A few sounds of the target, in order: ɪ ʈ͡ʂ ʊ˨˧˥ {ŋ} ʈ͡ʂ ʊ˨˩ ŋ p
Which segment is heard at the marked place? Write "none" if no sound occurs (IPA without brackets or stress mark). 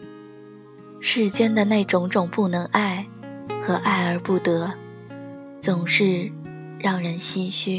ŋ